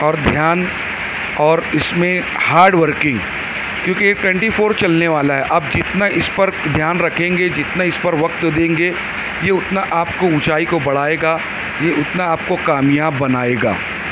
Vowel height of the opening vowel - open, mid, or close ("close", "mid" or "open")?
mid